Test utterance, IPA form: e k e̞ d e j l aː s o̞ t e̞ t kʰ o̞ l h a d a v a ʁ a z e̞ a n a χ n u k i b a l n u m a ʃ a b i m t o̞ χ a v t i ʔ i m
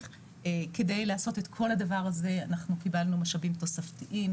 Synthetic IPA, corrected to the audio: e k e̞ d e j l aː s o̞ t e̞ t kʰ o̞ l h a d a v a ʁ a z e̞ a n a χ n u k i b a l n u m a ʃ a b i m t o̞ s a f t i ʔ i m